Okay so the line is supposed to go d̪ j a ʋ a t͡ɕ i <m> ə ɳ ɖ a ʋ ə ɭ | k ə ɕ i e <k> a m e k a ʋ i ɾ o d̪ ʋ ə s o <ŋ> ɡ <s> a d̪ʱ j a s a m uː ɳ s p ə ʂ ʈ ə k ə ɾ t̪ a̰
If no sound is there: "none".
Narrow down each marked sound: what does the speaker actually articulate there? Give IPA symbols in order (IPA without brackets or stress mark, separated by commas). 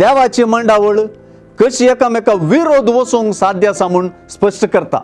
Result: m, k, ŋ, s